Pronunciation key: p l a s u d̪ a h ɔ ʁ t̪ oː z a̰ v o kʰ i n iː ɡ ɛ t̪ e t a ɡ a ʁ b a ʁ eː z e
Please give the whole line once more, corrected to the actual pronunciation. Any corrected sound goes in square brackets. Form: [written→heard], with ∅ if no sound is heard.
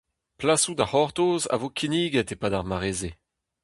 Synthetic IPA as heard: p l a s u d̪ a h ɔ ʁ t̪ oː z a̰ v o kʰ i n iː ɡ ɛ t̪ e [t→p] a [ɡ→d] a ʁ [b→m] a ʁ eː z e